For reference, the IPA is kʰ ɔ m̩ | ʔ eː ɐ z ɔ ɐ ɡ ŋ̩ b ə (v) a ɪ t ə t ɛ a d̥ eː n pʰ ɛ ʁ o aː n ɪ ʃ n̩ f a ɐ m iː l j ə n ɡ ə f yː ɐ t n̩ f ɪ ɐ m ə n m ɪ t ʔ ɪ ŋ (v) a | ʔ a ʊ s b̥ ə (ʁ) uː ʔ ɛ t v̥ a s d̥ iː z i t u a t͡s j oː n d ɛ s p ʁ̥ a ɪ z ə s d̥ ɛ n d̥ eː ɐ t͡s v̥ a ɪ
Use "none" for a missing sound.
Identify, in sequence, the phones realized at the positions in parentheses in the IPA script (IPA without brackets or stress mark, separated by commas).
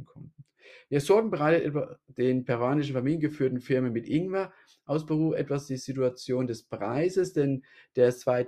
ʁ, v, ʁ